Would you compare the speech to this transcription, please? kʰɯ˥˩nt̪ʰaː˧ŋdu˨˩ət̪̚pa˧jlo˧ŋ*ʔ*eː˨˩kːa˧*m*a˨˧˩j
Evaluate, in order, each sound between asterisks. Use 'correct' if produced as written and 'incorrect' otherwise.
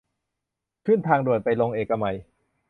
correct, correct

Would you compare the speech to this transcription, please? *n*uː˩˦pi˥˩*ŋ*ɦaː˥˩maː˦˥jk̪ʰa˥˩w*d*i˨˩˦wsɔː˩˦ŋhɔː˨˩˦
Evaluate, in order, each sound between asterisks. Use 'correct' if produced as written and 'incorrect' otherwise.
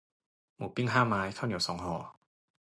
incorrect, correct, incorrect

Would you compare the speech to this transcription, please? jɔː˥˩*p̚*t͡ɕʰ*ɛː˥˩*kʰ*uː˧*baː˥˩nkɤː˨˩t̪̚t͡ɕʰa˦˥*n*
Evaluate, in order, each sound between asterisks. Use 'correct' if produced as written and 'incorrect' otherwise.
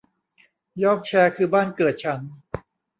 incorrect, incorrect, incorrect, correct

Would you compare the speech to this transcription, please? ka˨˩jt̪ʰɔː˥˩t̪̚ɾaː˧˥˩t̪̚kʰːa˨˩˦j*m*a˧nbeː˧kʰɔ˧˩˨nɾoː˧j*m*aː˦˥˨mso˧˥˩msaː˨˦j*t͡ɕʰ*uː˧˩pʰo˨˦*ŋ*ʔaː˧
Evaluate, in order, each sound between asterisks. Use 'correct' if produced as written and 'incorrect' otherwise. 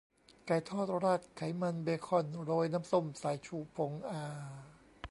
correct, incorrect, correct, correct

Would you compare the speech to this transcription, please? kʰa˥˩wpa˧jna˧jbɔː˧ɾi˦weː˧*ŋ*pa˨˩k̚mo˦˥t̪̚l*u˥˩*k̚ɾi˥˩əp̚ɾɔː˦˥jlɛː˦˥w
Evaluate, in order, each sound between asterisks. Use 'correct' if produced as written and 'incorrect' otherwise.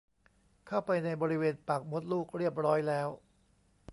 incorrect, incorrect

